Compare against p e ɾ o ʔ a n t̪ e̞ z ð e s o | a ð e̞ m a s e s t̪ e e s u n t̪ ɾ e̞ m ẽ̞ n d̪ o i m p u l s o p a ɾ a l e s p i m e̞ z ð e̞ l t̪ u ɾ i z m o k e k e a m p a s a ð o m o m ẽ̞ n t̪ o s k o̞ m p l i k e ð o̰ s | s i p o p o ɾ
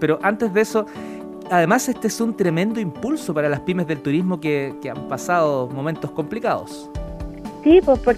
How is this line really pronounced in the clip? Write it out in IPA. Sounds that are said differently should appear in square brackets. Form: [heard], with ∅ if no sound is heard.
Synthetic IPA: p e ɾ o ʔ a n t̪ e̞ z ð e s o | a ð e̞ m a s e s t̪ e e s u n t̪ ɾ e̞ m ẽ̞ n d̪ o i m p u l s o p a ɾ a l [a] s p i m e̞ z ð e̞ l t̪ u ɾ i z m o k e k e a m p a s a ð o m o m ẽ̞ n t̪ o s k o̞ m p l i k [a] ð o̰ s | s i p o p o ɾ